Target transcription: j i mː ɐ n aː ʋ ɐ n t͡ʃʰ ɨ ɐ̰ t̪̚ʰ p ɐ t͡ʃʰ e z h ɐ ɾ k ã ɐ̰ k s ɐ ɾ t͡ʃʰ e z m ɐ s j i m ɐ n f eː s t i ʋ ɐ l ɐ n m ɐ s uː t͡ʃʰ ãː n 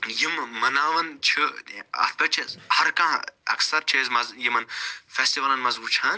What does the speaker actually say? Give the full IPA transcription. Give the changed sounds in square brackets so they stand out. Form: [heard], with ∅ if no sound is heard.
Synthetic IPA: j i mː ɐ n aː ʋ ɐ n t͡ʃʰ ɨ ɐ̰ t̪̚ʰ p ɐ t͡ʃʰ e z h ɐ ɾ k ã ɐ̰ k s ɐ ɾ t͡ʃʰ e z m ɐ [z] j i m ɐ n f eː s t i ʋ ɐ l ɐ n m ɐ [z] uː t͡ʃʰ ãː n